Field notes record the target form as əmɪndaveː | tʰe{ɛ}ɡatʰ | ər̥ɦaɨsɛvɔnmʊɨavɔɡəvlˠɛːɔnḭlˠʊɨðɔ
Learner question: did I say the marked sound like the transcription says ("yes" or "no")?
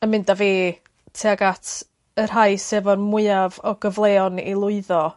no